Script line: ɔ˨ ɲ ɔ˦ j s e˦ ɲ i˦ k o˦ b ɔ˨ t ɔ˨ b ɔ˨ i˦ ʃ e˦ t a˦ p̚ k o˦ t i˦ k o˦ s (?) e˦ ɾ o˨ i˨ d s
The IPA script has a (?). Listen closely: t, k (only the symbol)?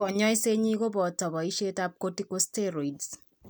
t